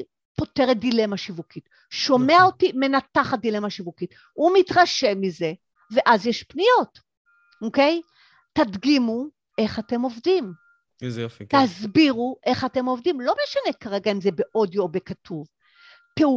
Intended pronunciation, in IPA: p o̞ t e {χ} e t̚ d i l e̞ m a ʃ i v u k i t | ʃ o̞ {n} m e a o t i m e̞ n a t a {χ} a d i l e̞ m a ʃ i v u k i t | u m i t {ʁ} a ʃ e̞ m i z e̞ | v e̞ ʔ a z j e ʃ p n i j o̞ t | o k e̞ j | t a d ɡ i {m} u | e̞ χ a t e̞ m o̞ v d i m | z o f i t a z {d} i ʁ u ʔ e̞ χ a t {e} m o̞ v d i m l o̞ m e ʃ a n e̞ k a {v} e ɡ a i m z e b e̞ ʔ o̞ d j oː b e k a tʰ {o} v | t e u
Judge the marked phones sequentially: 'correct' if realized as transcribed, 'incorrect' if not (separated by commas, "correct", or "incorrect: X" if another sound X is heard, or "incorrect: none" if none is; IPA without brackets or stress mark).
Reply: incorrect: ʁ, incorrect: m, correct, correct, correct, incorrect: b, correct, incorrect: ʁ, incorrect: u